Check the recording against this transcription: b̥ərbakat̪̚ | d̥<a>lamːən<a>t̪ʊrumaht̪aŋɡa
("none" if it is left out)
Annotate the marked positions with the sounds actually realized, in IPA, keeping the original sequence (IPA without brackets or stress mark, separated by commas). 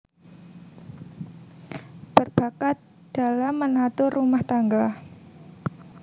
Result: a, a